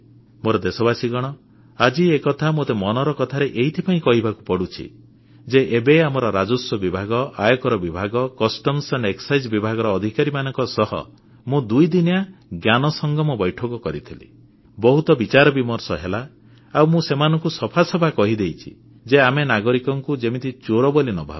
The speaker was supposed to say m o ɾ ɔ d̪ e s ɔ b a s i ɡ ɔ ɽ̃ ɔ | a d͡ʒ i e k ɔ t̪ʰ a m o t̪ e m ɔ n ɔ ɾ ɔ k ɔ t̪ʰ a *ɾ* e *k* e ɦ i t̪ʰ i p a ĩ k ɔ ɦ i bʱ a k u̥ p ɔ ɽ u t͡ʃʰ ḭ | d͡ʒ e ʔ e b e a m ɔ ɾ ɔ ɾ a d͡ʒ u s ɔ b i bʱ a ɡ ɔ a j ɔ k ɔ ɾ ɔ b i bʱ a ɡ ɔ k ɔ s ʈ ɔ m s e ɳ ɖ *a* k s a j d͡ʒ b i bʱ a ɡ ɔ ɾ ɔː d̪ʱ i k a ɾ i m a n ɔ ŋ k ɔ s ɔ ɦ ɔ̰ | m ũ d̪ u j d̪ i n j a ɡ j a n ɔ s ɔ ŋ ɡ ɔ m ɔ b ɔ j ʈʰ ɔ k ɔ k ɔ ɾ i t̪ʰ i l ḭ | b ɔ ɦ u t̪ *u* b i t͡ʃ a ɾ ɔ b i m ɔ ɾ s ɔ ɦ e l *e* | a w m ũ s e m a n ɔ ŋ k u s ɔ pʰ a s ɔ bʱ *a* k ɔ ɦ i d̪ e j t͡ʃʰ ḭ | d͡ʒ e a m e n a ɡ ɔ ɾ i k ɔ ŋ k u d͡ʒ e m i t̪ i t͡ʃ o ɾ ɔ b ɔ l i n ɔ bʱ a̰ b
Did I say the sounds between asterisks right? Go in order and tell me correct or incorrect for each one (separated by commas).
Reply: correct, incorrect, incorrect, incorrect, incorrect, correct